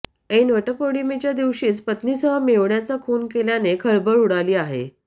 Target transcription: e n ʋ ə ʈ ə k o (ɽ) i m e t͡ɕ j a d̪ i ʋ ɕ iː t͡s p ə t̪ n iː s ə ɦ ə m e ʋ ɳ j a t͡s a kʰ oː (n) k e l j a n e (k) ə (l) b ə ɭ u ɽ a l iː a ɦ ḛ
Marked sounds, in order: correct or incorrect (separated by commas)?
correct, correct, incorrect, incorrect